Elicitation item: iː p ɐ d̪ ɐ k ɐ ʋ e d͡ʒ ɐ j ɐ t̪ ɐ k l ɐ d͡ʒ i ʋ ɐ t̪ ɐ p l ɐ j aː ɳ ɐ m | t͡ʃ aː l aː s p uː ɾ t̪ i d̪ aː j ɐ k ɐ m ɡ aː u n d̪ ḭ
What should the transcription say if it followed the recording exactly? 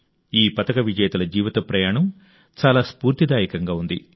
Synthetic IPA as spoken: iː p ɐ t̪ ɐ k ɐ ʋ i d͡ʒ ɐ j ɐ t̪ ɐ l ɐ d͡ʒ iː ʋ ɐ t̪ ɐ p ɾ ɐ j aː ɳ ɐ m | t͡ʃ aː l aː s p uː ɾ t̪ i d̪ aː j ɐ k ɐ ŋ ɡ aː u n d̪ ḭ

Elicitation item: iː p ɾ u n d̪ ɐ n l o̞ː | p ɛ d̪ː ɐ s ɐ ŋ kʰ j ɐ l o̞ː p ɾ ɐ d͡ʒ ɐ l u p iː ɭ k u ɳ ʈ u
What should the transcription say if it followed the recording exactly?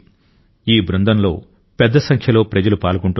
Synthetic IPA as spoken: iː b ɾ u n d̪ ɐ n l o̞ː | p ɛ d̪ː ɐ s ɐ ŋ kʰ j ɐ l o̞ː p ɾ ɐ d͡ʒ ɐ l u p aː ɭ k u ɳ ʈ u

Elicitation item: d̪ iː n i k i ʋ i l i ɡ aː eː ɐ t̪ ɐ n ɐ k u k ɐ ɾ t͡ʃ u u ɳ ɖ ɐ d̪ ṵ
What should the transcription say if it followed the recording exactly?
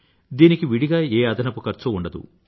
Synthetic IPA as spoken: d̪ iː n i k i ʋ i ɽ i ɡ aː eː ɐ d̪ ɐ n ɐ p u k ɐ ɾ t͡ʃ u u ɳ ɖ ɐ d̪ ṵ

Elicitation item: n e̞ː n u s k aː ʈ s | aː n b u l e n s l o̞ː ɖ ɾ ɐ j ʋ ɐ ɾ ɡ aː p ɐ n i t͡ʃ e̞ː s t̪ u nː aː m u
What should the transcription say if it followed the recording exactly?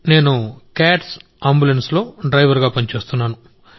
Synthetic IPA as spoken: n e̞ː n u k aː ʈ s | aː m b u l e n s l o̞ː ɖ ɾ ɐ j ʋ ɐ ɾ ɡ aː p ɐ n i t͡ʃ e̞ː s t̪ u nː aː n u

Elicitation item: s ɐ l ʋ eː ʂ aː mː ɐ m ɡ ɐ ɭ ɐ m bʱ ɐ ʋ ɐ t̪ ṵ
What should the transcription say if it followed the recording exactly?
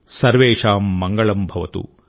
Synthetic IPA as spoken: s ɐ ɾ ʋ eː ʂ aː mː ɐ ŋ ɡ ɐ ɭ ɐ m bʱ ɐ ʋ ɐ t̪ ṵ

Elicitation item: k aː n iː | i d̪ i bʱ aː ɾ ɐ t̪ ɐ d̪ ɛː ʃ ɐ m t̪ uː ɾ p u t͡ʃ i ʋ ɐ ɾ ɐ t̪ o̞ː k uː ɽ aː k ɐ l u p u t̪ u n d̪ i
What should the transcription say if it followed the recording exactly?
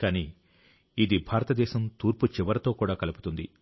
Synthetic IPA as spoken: k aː n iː | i d̪ i bʱ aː ɾ ɐ t̪ ɐ d̪ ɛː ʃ ɐ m t̪ uː ɾ p u t͡ʃ i ʋ ɐ ɾ ɐ t̪ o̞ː k uː ɽ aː k ɐ l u p u t̪ u n d̪ i

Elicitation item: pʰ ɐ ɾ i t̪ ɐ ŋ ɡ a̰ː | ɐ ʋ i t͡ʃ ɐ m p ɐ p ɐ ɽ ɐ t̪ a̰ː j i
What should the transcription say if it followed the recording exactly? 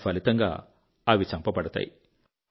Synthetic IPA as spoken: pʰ ɐ l i t̪ ɐ ŋ ɡ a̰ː | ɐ ʋ i t͡ʃ ɐ m p ɐ p ɐ ɽ ɐ t̪ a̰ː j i

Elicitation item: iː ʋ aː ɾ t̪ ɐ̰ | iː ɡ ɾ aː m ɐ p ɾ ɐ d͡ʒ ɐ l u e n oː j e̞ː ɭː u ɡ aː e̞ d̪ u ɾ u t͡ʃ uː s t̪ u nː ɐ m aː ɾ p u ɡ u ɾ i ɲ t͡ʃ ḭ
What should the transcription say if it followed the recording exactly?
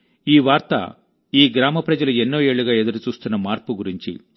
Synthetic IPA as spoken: iː ʋ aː ɾ t̪ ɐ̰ | iː ɡ ɾ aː m ɐ p ɾ ɐ d͡ʒ ɐ l u e nː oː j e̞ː ɭː u ɡ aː e̞ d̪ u ɾ u t͡ʃ uː s t̪ u nː ɐ m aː ɾ p u ɡ u ɾ i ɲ t͡ʃ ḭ

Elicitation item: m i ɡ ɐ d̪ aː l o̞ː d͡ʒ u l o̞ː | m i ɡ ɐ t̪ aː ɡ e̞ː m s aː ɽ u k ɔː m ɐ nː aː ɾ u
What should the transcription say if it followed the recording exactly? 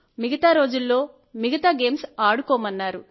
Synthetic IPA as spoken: m i ɡ ɐ t̪ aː ɾ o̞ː d͡ʒ u lː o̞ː | m i ɡ ɐ t̪ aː ɡ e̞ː m s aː ɽ u k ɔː m ɐ nː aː ɾ u

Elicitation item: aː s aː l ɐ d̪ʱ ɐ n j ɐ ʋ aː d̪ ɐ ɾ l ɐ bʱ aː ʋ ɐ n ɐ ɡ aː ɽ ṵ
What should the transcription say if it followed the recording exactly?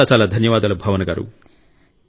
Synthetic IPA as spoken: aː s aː l ɐ d̪ʱ ɐ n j ɐ ʋ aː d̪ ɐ l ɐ bʱ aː ʋ ɐ n ɐ ɡ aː ɾ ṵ

